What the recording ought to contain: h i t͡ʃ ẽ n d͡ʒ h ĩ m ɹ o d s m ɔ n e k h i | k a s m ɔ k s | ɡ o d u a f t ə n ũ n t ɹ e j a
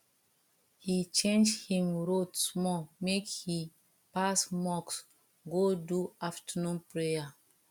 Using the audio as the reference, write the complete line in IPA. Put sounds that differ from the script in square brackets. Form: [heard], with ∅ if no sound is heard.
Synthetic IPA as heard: h i t͡ʃ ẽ n d͡ʒ h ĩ m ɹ o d s m ɔ [m] e k h i | [p] a s m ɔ k s | ɡ o d u a f t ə n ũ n [p] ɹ e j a